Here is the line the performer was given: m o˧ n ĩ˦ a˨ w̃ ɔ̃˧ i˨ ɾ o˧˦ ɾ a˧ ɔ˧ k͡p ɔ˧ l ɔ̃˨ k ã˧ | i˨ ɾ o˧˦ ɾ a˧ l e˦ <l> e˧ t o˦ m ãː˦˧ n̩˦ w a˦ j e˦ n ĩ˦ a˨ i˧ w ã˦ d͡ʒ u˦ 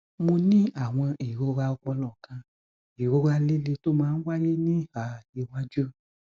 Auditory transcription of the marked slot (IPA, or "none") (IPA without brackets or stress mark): l